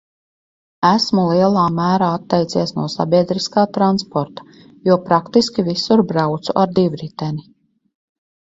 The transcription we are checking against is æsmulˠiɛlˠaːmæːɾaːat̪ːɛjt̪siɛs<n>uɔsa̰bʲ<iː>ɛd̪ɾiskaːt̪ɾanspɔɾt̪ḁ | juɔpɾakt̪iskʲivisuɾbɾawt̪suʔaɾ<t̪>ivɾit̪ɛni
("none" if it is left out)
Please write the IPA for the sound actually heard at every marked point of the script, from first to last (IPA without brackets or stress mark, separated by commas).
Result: n, i, d̪